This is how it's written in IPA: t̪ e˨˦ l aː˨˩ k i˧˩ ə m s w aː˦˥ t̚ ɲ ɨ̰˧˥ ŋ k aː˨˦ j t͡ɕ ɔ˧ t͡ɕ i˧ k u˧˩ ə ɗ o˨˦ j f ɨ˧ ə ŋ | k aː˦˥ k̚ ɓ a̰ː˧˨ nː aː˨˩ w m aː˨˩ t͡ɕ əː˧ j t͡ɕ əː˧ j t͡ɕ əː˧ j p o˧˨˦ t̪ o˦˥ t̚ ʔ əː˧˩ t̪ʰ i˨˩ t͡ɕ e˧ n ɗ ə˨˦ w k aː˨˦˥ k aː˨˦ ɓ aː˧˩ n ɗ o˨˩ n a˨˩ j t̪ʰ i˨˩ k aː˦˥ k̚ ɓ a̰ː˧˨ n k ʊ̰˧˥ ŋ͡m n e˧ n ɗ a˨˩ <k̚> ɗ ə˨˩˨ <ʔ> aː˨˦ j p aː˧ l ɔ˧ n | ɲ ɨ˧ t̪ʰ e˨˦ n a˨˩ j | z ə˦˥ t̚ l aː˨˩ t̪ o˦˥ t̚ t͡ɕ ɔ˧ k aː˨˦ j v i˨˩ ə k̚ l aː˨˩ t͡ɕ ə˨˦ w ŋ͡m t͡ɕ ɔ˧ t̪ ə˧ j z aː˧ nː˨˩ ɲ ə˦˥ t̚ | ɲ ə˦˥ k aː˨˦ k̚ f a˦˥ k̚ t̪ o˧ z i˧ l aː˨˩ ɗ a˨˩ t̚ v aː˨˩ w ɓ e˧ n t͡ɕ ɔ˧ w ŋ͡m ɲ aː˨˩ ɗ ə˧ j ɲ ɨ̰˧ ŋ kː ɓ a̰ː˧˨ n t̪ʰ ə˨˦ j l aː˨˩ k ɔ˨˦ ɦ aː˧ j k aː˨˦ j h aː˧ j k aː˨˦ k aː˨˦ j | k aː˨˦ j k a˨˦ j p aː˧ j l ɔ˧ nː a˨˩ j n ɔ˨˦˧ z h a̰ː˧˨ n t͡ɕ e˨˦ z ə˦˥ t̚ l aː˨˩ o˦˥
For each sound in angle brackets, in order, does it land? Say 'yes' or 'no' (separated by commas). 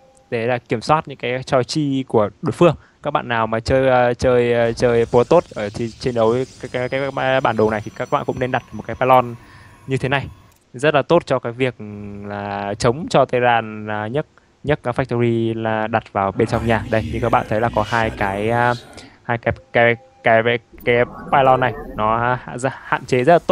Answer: no, no